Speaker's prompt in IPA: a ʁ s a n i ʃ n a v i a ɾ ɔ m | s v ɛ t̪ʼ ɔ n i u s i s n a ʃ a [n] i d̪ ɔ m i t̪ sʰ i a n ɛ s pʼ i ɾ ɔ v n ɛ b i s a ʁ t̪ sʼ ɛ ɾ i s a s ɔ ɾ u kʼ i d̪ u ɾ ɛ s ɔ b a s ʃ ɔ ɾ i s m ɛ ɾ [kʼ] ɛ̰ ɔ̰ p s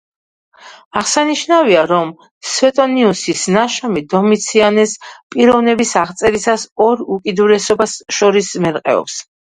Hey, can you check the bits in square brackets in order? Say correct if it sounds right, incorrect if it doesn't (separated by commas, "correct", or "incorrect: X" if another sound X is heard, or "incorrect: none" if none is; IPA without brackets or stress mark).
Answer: incorrect: m, incorrect: qʼ